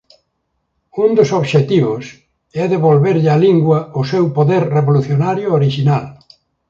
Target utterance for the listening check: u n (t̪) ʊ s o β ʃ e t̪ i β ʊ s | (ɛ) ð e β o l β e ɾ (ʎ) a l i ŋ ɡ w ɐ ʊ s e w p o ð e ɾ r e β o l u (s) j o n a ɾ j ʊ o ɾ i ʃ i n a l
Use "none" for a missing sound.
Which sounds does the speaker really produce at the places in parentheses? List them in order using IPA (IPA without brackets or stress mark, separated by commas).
d̪, ɛ, ʎ, θ